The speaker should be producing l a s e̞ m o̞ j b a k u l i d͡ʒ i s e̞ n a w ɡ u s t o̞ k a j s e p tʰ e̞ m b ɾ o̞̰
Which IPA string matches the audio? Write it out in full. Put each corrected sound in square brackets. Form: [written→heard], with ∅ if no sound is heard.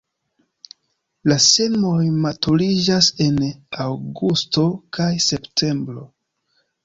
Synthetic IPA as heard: l a s e̞ m o̞ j [b→m] a [k→t] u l i d͡ʒ [i→a] s e̞ n a w ɡ u s t o̞ k a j s e p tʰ e̞ m b ɾ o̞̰